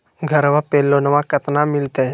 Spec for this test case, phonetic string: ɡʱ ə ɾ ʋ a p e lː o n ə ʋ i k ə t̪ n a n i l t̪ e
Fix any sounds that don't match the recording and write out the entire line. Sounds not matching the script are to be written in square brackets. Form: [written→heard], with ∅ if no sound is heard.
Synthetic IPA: ɡʱ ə ɾ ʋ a p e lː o n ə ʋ [i→a] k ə t̪ n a [n→m] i l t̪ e